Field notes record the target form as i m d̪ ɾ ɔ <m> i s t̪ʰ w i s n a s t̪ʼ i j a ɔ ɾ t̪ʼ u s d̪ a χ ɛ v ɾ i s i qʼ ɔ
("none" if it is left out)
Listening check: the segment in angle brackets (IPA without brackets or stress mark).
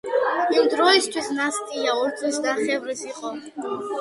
none